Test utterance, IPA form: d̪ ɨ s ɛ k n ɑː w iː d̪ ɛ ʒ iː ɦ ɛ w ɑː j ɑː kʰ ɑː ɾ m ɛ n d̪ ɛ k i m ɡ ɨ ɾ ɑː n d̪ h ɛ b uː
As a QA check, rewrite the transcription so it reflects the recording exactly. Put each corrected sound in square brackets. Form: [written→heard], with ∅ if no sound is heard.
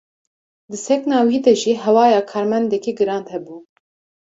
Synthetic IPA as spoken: d̪ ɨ s ɛ k n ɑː w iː d̪ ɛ ʒ iː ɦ ɛ w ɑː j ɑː kʰ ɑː ɾ m ɛ n d̪ ɛ k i [m→∅] ɡ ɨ ɾ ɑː n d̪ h ɛ b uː

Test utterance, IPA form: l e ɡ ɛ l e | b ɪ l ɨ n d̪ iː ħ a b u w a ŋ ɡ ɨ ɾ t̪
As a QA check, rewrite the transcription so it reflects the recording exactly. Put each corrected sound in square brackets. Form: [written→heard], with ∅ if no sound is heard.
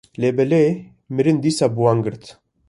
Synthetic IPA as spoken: l e [ɡ→b] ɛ l e | [b→m] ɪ [l→ɾ] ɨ n d̪ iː [ħ→s] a b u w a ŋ ɡ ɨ ɾ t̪

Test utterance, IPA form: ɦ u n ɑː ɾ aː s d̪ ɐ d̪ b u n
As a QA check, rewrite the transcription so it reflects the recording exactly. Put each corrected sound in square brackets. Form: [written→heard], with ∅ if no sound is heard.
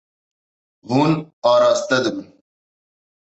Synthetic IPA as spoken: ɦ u n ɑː ɾ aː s [d̪→t̪] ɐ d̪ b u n

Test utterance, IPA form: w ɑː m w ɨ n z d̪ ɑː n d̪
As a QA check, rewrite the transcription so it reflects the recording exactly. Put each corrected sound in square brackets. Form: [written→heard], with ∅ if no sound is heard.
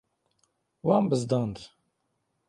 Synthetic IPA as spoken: w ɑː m [w→b] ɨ [n→∅] z d̪ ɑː n d̪

